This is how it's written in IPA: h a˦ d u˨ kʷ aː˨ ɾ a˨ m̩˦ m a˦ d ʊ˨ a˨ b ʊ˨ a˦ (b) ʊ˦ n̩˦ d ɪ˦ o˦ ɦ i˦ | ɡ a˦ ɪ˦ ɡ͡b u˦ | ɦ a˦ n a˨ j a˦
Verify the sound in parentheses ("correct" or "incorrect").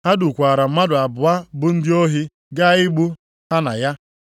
correct